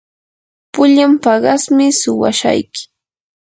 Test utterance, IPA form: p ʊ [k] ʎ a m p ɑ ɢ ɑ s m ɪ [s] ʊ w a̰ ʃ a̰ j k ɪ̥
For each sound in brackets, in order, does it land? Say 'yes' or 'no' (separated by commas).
no, yes